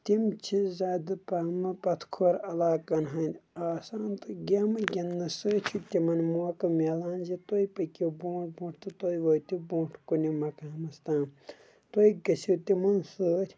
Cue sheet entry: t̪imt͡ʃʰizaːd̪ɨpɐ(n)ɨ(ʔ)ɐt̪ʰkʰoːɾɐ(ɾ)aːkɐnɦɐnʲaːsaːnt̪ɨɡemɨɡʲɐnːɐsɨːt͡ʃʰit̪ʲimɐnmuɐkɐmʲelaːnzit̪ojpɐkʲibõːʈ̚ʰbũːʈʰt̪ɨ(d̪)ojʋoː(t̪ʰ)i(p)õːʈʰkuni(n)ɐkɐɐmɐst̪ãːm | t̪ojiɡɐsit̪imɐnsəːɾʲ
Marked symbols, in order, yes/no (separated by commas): no, no, no, no, no, no, no